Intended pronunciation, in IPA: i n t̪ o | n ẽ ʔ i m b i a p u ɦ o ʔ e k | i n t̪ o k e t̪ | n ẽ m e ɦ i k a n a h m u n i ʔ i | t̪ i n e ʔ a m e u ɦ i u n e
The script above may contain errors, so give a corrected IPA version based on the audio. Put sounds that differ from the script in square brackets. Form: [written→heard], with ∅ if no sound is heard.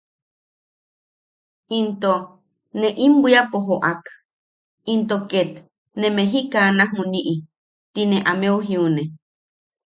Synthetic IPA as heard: i n t̪ o | n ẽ ʔ i m b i a p [u→o] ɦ o ʔ [e→a] k | i n t̪ o k e t̪ | n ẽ m e ɦ i k a n a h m u n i ʔ i | t̪ i n e ʔ a m e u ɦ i u n e